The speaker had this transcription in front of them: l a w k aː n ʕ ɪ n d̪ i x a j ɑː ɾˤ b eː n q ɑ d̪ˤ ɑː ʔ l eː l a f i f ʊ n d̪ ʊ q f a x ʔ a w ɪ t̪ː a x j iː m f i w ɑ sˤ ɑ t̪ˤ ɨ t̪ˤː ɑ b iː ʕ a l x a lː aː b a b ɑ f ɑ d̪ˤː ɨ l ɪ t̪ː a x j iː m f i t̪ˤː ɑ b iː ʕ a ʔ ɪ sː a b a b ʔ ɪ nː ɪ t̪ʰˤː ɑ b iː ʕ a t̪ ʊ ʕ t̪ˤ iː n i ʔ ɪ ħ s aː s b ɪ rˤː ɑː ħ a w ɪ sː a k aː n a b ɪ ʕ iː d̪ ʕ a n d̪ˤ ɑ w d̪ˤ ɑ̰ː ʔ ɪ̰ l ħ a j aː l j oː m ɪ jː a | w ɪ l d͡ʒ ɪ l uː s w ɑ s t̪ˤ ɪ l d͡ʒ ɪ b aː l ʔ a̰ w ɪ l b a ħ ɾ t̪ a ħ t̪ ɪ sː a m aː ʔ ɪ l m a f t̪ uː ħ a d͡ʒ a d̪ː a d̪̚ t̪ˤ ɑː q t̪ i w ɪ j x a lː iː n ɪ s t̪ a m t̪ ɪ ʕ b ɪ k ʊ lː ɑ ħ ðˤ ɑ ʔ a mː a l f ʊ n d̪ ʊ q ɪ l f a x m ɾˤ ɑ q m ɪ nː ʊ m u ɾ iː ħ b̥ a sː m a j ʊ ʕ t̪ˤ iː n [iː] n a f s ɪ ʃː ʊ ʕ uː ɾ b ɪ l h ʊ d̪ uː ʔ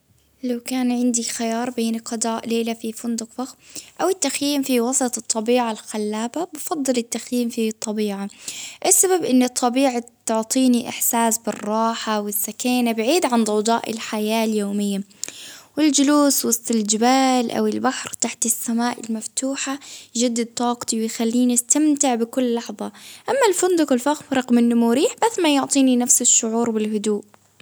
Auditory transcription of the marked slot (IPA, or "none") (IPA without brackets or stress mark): i